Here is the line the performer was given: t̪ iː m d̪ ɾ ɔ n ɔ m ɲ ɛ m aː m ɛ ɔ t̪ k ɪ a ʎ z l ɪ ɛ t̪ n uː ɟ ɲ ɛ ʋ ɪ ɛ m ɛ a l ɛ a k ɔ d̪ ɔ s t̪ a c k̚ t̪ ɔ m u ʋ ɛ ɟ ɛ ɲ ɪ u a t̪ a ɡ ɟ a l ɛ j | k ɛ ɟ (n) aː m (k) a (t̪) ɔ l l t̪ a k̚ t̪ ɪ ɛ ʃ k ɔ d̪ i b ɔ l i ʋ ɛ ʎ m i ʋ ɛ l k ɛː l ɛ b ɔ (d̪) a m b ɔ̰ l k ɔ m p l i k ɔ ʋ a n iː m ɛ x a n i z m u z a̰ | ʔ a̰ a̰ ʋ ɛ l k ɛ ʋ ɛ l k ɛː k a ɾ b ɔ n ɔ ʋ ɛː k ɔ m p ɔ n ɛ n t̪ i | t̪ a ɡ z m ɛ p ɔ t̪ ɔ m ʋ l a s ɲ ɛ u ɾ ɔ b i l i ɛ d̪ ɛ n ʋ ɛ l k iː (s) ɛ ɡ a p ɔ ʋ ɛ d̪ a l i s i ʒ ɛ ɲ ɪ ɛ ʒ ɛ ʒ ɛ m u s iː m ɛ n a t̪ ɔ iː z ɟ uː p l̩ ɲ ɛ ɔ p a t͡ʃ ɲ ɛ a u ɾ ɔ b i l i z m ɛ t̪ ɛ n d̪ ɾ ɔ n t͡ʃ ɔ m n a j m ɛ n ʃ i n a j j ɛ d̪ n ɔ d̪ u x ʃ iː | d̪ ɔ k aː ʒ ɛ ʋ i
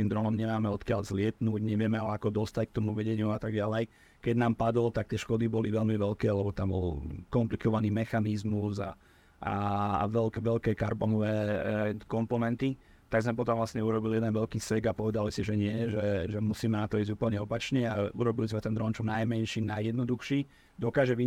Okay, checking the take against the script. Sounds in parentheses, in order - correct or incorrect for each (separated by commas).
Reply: correct, incorrect, incorrect, incorrect, correct